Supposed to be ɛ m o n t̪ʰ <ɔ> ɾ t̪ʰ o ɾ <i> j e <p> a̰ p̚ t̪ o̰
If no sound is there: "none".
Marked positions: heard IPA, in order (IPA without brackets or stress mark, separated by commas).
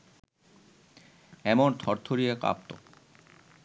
ɔ, i, k